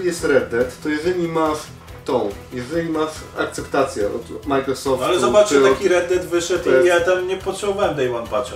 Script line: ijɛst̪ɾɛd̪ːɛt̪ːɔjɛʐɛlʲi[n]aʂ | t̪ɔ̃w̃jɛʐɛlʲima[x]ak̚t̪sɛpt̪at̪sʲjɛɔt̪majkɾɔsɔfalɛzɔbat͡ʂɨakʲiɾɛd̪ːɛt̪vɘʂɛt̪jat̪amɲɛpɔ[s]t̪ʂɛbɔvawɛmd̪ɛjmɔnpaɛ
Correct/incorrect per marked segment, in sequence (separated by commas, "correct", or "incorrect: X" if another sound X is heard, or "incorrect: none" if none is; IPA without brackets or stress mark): incorrect: m, incorrect: ʂ, incorrect: none